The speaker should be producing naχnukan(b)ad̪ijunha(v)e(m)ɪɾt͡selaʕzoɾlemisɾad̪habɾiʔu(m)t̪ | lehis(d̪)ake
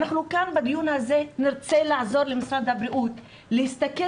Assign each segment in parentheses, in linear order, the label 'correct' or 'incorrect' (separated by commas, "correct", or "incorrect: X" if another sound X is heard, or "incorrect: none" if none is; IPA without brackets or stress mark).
correct, incorrect: z, incorrect: n, incorrect: none, incorrect: t̪